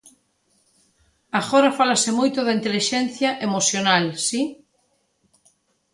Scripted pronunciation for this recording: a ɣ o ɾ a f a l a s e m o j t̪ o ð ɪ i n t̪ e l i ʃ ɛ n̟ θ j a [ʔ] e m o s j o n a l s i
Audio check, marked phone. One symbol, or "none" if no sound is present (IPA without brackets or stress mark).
ʔ